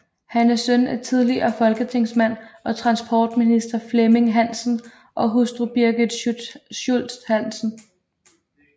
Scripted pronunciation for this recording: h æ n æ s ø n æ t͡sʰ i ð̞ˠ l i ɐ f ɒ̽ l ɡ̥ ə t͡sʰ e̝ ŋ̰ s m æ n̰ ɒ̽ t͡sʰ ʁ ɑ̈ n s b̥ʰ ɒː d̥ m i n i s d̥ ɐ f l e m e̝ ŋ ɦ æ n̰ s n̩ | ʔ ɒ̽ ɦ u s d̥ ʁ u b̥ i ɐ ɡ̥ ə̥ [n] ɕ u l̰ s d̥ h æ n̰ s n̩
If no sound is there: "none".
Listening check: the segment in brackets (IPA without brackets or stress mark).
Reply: none